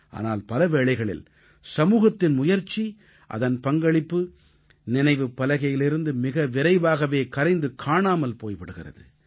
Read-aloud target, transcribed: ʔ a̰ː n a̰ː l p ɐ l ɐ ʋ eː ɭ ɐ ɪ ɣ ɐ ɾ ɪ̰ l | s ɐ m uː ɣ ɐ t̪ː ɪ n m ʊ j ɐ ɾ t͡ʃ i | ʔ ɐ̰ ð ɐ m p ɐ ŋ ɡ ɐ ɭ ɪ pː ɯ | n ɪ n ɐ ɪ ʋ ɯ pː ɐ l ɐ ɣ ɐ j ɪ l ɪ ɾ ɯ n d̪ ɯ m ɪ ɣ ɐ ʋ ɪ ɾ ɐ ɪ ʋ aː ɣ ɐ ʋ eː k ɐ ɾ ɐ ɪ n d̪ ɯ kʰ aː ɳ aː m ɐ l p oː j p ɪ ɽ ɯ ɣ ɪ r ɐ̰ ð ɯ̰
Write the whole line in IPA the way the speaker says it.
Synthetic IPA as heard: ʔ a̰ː n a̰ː l p ɐ l ɐ ʋ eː ɭ ɐ ɪ ɣ ɐ ɭ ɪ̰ l | s ɐ m uː ɣ ɐ t̪ː ɪ n m ʊ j ɐ ɾ t͡ʃ i | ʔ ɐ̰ ð ɐ n p ɐ ŋ ɡ ɐ ɭ ɪ pː ɯ | n ɪ n ɐ ɪ ʋ ɯ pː ɐ l ɐ ɣ ɐ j ɪ l ɪ ɾ ɯ n d̪ ɯ m ɪ ɣ ɐ ʋ ɪ ɾ ɐ ɪ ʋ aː ɣ ɐ ʋ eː k ɐ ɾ ɐ ɪ n d̪ ɯ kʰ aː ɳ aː m ɐ l p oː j p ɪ ɽ ɯ ɣ ɪ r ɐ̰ ð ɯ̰